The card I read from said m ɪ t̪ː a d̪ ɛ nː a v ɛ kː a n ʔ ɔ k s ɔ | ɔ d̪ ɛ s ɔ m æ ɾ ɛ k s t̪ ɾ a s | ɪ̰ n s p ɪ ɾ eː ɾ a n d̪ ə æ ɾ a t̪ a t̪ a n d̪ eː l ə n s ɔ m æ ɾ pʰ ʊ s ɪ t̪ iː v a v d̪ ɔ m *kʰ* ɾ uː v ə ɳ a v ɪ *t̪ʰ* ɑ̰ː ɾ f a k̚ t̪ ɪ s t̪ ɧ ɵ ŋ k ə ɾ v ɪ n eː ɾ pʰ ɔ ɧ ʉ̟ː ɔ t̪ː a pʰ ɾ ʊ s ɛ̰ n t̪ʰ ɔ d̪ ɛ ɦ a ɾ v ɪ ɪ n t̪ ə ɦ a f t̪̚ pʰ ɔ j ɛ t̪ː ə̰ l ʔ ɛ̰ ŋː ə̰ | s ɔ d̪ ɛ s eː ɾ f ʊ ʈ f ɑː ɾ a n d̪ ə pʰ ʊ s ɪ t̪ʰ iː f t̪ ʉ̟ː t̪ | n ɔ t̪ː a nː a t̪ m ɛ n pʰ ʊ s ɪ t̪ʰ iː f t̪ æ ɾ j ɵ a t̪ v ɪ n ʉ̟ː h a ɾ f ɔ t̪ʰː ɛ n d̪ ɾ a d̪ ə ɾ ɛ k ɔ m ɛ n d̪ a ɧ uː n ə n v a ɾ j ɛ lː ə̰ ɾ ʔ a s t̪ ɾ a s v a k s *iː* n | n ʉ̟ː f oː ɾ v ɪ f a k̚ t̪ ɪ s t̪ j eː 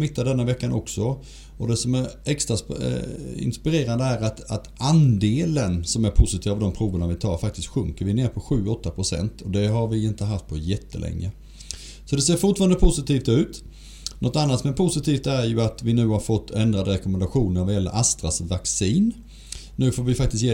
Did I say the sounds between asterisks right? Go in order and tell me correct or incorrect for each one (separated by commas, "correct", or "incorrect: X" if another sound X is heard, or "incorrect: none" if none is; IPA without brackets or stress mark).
incorrect: pʰ, correct, correct